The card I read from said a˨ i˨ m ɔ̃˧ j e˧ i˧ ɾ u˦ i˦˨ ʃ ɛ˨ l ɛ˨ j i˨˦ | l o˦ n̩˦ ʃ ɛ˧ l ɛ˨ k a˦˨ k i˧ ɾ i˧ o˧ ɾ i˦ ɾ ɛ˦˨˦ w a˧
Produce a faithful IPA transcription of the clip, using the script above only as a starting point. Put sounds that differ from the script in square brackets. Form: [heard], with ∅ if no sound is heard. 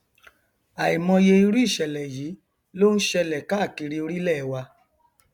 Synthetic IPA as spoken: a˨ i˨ m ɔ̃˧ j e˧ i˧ ɾ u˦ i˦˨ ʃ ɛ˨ l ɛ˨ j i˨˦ | l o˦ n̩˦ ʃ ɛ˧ l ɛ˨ k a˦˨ k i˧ ɾ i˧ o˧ ɾ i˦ [l] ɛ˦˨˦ w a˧